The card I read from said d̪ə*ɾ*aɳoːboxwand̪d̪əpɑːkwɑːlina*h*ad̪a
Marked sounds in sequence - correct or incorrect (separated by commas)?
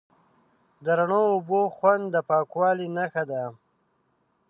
correct, incorrect